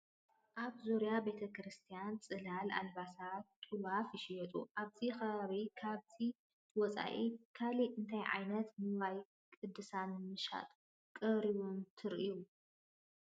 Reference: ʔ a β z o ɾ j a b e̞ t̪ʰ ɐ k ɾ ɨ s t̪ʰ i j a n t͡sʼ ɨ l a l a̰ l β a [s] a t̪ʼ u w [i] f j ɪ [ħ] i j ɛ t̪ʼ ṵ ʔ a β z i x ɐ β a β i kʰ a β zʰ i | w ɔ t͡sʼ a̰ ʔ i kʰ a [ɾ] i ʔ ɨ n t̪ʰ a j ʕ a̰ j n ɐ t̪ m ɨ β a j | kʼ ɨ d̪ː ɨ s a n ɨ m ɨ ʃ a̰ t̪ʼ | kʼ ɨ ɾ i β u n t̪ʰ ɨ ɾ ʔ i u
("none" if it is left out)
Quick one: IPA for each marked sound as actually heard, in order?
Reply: s, a, ʃ, l

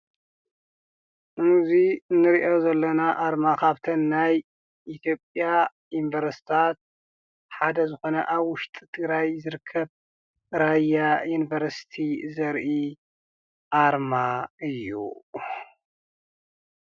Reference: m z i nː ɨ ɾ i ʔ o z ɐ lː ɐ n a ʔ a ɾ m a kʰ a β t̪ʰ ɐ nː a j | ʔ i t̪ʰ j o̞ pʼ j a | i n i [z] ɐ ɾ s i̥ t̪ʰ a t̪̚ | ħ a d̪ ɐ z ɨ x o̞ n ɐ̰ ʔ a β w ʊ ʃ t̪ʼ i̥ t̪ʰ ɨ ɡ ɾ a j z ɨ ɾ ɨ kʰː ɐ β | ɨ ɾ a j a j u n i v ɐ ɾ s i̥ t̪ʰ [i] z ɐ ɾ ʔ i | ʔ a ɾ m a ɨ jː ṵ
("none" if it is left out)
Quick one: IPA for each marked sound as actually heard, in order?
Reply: v, i

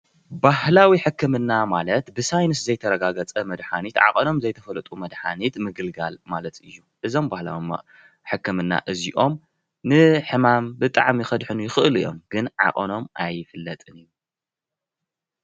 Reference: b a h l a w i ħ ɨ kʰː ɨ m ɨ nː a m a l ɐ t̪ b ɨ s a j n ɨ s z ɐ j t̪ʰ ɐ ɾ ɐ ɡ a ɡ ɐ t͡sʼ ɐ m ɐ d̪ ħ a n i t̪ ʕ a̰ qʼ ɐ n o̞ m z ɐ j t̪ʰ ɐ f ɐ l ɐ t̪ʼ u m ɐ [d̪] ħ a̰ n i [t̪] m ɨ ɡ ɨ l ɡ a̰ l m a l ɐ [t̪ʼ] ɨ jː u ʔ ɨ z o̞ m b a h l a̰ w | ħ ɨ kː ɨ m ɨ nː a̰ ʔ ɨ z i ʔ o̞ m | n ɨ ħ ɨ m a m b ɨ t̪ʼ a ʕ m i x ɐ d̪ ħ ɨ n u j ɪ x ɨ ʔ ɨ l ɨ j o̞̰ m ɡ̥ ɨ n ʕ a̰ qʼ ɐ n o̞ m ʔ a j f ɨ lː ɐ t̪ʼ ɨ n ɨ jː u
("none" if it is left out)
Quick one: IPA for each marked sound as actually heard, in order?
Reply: d̪, t̪, t̪

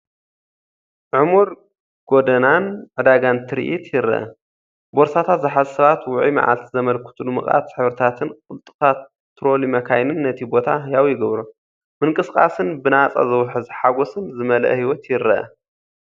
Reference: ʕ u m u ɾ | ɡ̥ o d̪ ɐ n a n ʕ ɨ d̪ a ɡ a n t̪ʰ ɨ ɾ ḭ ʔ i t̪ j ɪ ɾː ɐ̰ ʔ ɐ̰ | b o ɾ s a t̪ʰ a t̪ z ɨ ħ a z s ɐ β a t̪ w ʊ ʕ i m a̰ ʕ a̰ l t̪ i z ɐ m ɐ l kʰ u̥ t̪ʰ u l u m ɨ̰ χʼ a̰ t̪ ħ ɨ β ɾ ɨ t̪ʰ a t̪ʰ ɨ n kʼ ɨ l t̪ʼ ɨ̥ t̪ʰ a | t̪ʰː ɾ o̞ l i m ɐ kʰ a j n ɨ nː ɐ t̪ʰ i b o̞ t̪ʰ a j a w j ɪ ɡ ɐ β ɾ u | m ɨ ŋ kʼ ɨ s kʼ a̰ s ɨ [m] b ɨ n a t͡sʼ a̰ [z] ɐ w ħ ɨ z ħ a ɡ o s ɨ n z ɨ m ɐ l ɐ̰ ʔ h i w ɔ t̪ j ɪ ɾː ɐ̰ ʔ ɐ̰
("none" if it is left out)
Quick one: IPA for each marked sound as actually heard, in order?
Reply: n, z

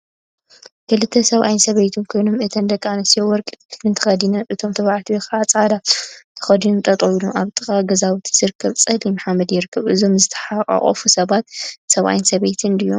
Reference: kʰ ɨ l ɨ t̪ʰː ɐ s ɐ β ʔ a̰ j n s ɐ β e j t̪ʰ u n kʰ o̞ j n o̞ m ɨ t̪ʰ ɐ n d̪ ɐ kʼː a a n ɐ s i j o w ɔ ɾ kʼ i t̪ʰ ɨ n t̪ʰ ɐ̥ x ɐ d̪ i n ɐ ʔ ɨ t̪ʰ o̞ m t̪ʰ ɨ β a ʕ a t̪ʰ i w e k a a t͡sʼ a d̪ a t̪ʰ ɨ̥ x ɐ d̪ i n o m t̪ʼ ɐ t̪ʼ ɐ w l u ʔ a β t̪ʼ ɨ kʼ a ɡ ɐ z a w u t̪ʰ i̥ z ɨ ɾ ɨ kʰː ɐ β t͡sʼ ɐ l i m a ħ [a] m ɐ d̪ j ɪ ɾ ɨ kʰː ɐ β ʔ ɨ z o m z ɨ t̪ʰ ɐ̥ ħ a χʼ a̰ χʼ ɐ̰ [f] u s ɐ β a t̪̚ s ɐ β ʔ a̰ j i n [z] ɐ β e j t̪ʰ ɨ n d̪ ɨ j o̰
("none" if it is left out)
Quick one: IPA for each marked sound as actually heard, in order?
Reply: a, f, s

